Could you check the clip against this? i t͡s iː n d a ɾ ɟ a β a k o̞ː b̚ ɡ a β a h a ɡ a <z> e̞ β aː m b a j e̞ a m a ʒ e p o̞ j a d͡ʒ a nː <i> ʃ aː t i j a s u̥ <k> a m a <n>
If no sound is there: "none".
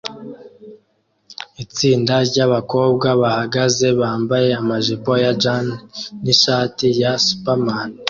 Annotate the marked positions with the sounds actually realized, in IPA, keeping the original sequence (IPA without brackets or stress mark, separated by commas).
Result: z, i, p, n